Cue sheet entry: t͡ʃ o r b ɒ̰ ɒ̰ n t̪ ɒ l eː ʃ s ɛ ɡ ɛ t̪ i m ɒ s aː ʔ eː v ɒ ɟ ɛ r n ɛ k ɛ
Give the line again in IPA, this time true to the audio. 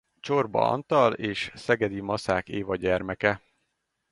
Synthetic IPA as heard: t͡ʃ o r b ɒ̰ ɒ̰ n t̪ ɒ l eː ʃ s ɛ ɡ ɛ d̪ i m ɒ s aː k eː v ɒ ɟ ɛ r m ɛ k ɛ